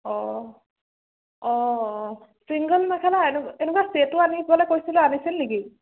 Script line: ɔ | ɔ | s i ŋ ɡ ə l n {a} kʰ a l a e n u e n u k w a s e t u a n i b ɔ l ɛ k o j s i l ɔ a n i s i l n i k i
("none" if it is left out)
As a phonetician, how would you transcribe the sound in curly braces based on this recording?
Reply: a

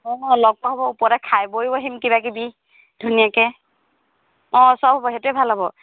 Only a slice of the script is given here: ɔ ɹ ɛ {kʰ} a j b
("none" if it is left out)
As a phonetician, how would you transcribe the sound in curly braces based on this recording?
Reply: kʰ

